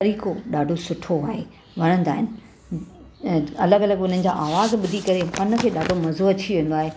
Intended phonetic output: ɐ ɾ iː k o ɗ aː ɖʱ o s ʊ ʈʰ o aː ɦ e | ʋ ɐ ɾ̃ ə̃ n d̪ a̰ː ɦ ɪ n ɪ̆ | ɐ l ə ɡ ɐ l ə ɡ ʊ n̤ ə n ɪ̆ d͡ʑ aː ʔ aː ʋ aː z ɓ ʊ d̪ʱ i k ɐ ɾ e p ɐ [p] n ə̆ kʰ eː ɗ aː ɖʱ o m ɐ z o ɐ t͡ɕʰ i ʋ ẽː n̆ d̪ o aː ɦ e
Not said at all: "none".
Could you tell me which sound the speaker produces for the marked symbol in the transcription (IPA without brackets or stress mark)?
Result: none